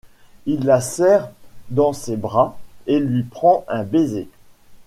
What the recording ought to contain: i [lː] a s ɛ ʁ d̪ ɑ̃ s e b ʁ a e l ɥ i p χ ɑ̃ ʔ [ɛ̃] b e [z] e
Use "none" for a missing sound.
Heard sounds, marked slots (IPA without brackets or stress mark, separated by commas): lː, ɛ̃, z